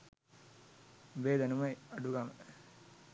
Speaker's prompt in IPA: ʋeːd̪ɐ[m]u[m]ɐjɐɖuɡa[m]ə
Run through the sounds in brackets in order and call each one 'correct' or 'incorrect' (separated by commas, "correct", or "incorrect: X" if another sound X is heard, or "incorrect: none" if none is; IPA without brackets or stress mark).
incorrect: n, correct, correct